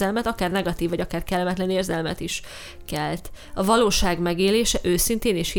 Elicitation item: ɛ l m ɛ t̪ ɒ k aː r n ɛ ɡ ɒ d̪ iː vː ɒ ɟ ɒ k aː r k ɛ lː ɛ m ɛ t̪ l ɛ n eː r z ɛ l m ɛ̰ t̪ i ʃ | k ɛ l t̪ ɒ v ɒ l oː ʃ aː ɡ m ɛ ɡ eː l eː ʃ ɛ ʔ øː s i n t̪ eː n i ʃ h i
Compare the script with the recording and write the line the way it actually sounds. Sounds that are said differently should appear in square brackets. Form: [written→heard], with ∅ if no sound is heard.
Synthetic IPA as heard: ɛ l m ɛ t̪ ɒ k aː r n ɛ ɡ ɒ [d̪→t̪] iː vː ɒ ɟ ɒ k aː r k ɛ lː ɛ m ɛ t̪ l ɛ n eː r z ɛ l m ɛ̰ t̪ i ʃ | k ɛ l t̪ ɒ v ɒ l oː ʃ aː ɡ m ɛ ɡ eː l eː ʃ ɛ ʔ øː s i n t̪ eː n i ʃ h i